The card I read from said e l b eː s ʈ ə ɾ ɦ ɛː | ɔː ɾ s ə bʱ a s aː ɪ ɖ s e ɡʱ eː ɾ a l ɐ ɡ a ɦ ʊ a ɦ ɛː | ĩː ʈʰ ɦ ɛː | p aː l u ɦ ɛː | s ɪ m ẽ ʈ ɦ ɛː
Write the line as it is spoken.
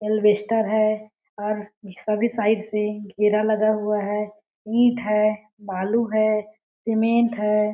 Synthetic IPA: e l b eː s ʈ ə ɾ ɦ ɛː | ɔː ɾ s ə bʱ i s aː ɪ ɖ s e ɡʱ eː ɾ a l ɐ ɡ a ɦ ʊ a ɦ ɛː | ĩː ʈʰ ɦ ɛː | b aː l u ɦ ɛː | s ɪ m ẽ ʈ ɦ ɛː